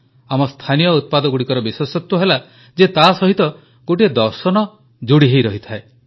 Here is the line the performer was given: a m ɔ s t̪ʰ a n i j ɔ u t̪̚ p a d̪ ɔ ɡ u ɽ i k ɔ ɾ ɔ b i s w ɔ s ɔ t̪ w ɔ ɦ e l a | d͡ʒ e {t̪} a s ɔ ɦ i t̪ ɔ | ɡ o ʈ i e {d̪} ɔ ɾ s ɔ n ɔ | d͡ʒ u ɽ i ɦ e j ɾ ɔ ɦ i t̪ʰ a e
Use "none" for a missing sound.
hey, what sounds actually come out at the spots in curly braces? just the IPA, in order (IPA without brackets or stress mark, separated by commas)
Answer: t̪, d̪